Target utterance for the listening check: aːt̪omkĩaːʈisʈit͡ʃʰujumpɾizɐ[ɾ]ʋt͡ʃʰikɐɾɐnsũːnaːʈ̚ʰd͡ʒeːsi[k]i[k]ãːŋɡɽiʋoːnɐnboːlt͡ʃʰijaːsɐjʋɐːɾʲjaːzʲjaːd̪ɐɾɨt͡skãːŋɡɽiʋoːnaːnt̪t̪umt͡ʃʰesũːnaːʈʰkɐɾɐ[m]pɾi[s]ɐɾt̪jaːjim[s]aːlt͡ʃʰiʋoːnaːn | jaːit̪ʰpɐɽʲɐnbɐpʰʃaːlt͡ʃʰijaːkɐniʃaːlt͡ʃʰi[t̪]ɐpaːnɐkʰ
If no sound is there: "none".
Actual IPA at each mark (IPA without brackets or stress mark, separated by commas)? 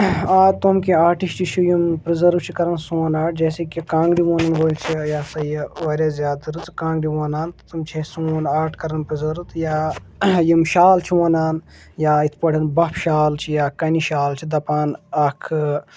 ɾ, k, k, n, z, ʃ, d̪